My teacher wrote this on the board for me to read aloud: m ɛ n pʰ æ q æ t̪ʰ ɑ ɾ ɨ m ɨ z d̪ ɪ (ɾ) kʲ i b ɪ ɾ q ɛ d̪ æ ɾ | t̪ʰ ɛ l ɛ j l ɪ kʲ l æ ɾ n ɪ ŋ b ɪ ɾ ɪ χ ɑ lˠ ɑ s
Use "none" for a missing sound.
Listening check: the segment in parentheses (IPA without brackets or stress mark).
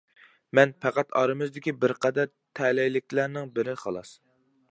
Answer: none